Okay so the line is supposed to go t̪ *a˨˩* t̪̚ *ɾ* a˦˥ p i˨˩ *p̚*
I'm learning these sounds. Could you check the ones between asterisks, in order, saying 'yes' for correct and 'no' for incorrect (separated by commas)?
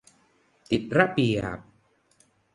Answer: no, yes, yes